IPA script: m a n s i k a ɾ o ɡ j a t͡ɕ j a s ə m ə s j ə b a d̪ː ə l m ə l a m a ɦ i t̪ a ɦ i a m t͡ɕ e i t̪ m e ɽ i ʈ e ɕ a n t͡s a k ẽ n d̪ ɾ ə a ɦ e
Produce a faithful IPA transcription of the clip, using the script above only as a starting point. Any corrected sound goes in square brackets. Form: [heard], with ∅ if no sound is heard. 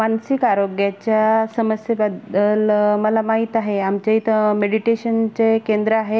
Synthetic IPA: m a n s i k a ɾ o ɡ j a t͡ɕ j a s ə m ə s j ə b a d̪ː ə l m ə l a m a ɦ i t̪ a ɦ [e] a m t͡ɕ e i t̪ m e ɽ i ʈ e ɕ [ə] n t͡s [e] k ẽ n d̪ ɾ ə a ɦ e

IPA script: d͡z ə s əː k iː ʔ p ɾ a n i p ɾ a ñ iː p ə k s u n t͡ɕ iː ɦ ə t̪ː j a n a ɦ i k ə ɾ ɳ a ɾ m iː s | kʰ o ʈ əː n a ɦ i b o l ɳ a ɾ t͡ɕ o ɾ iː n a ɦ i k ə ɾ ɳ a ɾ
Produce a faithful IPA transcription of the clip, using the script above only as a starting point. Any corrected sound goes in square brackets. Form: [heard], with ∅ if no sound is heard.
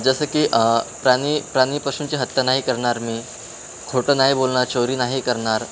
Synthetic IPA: d͡z ə s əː k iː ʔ p ɾ a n i p ɾ a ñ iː p ə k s u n t͡ɕ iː ɦ ə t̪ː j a n a ɦ i k ə ɾ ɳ a ɾ m iː [∅] | kʰ o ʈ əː n a ɦ i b o l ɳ a ɾ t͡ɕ o ɾ iː n a ɦ i k ə ɾ ɳ a ɾ

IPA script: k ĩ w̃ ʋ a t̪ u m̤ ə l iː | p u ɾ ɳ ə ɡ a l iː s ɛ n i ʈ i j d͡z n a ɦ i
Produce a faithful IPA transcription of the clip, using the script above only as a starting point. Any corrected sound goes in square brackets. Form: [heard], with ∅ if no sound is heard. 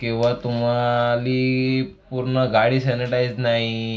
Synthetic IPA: k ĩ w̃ ʋ a t̪ u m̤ [a] l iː | p u ɾ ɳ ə ɡ a [ɽ] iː s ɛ n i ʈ [a] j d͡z n a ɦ i

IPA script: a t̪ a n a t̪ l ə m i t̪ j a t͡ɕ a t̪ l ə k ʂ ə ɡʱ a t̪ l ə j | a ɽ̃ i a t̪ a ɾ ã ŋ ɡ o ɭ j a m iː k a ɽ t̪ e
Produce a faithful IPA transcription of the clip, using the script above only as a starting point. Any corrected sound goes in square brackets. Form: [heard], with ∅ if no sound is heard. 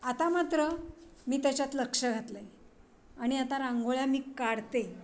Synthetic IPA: a t̪ a [m] a t̪ [ɾ] ə m [iː] t̪ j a t͡ɕ a t̪ l ə k ʂ ə ɡʱ a t̪ l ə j | a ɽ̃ i a t̪ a ɾ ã ŋ ɡ o ɭ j a m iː k a ɽ t̪ e

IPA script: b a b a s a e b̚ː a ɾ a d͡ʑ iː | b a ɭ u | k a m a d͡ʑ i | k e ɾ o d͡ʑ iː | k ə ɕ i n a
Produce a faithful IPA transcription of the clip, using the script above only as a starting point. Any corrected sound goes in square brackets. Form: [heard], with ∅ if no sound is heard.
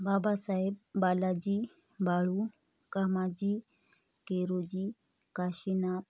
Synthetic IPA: b a b a s a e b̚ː a [l] a d͡ʑ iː | b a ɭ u | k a m a d͡ʑ i | k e ɾ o d͡ʑ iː | k [a] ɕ i n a

